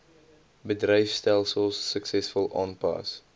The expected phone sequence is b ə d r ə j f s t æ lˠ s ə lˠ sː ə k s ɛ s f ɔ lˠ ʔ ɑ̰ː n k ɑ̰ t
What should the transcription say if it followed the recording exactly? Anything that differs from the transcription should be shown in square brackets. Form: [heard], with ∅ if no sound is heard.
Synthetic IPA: b ə d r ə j f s t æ lˠ s ə lˠ sː ə k s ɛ s f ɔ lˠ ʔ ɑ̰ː n [p] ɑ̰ [s]